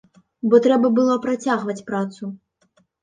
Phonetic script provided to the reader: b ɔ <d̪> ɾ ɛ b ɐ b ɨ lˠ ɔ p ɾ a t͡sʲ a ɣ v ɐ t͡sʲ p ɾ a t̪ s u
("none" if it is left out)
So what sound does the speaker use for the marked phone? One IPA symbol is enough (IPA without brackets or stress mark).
t̪